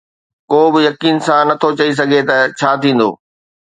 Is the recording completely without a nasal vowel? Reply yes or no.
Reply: no